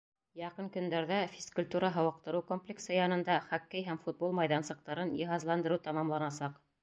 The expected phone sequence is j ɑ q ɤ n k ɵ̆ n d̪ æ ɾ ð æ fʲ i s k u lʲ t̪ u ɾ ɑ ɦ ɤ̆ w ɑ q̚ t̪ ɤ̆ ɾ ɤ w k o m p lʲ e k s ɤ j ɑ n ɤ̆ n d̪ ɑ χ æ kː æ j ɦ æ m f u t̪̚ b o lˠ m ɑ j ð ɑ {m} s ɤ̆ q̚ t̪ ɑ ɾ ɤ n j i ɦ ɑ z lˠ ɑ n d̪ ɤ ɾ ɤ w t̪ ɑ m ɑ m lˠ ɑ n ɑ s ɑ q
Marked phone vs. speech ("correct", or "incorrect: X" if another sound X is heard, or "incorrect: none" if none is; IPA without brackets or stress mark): incorrect: n